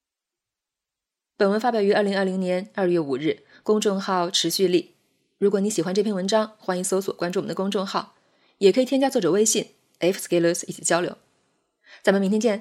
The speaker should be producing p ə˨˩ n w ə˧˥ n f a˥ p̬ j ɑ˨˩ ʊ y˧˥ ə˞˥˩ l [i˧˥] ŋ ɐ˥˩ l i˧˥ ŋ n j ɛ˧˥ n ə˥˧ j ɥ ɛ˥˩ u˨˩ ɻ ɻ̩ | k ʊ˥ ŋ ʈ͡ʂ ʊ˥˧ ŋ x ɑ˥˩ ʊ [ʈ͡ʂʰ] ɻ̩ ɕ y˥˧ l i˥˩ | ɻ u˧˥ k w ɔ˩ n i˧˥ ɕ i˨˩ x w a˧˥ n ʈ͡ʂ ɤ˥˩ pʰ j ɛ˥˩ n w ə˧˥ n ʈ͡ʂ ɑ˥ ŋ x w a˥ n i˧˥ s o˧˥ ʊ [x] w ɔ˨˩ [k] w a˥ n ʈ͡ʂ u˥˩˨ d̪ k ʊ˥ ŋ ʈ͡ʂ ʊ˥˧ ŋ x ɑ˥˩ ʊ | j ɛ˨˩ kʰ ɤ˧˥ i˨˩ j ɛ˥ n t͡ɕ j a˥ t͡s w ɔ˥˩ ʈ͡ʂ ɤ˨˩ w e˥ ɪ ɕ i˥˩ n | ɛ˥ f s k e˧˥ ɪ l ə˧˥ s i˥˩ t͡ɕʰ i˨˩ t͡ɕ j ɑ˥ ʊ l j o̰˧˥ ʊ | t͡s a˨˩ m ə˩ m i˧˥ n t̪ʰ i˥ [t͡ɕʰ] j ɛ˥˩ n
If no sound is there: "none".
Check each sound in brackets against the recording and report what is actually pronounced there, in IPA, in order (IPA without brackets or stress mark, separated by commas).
i˧˥, ʈ͡ʂʰ, s, k, t͡ɕ